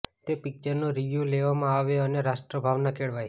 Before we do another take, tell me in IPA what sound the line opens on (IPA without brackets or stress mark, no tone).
t̪